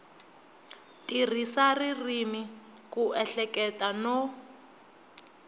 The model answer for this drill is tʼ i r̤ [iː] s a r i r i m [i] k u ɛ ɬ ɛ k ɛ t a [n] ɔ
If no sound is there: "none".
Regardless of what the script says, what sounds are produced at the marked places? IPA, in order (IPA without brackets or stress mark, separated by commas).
i, i, n